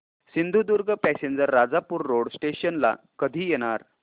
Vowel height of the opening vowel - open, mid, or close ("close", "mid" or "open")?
close